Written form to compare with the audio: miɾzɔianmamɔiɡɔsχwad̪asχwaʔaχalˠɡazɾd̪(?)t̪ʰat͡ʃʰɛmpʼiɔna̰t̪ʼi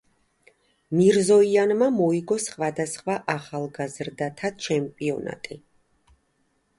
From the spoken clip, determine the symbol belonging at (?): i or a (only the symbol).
a